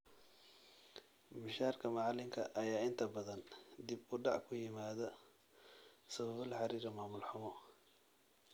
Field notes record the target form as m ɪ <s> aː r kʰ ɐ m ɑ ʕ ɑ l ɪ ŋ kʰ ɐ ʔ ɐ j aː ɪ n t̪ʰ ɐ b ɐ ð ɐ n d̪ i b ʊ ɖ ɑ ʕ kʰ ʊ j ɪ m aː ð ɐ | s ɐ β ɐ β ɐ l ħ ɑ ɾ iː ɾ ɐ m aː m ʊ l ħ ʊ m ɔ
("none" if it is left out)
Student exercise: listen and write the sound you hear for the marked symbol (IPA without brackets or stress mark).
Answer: ʃ